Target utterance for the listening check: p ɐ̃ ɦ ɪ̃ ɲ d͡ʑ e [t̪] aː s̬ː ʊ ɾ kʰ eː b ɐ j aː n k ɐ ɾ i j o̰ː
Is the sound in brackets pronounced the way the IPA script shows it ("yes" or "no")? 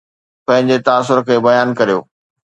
yes